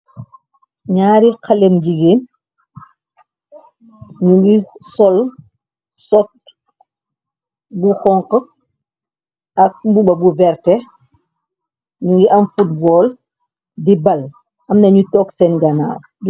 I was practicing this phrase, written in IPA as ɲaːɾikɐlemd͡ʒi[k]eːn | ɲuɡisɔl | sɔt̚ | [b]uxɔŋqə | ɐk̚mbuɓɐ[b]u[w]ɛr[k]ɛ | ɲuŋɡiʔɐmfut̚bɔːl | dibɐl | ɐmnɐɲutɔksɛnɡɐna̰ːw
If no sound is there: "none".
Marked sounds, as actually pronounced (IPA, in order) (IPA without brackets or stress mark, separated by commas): ɡ, b, b, v, t